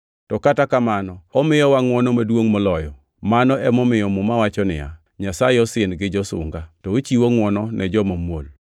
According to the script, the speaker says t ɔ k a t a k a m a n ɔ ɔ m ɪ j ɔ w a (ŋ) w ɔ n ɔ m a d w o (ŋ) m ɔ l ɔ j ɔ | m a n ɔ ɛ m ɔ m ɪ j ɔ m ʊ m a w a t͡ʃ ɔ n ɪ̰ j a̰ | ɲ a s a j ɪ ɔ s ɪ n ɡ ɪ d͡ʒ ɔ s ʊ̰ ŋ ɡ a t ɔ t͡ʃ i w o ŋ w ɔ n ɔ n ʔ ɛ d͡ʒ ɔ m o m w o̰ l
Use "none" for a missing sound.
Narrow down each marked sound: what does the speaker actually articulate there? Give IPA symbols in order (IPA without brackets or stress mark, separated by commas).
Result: ŋ, ŋ